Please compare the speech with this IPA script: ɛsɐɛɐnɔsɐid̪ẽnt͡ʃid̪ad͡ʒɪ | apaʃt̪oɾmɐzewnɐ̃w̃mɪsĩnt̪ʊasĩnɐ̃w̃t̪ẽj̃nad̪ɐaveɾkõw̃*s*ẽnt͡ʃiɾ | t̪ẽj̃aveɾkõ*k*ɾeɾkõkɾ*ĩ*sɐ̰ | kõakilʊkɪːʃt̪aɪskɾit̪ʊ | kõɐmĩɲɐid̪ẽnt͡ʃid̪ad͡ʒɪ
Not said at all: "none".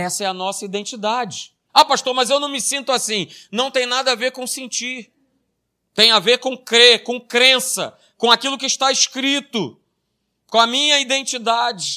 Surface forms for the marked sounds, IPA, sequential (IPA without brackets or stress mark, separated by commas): s, k, ẽ